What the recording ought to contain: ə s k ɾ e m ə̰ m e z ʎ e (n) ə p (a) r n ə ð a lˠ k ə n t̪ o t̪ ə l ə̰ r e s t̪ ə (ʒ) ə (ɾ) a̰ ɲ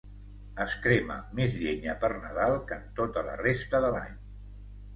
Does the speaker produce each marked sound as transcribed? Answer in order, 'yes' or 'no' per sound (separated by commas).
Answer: no, no, no, no